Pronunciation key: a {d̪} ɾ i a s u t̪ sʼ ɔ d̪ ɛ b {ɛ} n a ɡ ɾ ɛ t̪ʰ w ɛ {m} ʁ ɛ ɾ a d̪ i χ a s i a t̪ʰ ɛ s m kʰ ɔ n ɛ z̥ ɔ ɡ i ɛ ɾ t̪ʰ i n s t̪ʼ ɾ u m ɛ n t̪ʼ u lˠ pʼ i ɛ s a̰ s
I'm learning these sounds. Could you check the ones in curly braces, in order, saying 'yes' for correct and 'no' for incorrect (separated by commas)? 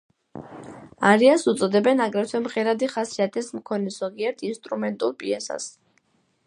no, yes, yes